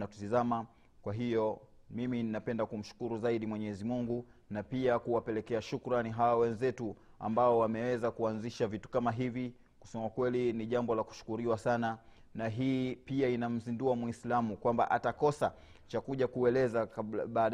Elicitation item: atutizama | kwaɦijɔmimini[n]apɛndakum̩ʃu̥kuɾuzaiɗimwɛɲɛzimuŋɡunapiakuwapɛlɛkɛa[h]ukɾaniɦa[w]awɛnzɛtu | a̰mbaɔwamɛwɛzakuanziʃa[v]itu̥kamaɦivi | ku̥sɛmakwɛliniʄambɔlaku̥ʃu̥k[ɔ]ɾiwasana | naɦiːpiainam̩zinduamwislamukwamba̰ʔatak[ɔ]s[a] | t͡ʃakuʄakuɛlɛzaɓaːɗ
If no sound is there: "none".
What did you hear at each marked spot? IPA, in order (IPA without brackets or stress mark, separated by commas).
n, ʃ, w, v, u, ɔ, a